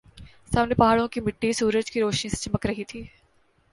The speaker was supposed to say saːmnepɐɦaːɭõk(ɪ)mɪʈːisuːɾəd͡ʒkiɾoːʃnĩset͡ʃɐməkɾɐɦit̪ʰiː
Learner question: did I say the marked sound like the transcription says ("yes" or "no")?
no